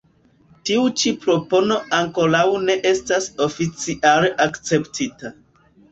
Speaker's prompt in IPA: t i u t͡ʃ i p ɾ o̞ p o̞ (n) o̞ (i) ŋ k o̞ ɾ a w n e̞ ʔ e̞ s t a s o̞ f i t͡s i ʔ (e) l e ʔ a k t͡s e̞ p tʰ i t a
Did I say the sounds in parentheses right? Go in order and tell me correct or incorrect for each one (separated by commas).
correct, incorrect, incorrect